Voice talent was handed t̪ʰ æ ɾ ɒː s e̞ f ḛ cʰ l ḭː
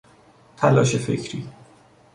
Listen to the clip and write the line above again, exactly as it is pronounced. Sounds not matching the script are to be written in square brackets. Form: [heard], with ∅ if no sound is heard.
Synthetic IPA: t̪ʰ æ [l] ɒː [ʃ] e̞ f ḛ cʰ [ɾ] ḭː